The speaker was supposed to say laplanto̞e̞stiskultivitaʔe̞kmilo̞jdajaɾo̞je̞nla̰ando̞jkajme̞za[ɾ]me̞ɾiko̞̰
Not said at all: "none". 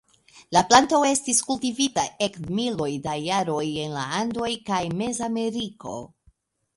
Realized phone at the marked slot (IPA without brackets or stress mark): none